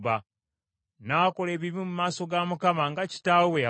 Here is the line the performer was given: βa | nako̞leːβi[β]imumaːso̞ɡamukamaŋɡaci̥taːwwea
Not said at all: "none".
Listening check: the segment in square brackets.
β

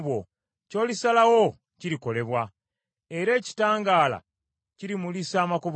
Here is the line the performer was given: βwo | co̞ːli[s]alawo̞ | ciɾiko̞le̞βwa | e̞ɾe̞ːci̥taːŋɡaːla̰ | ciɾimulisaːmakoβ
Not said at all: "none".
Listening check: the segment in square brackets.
s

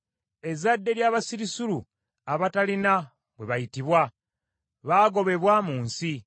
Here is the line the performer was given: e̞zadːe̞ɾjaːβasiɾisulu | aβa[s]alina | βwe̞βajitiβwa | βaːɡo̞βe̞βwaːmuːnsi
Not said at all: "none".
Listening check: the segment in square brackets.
t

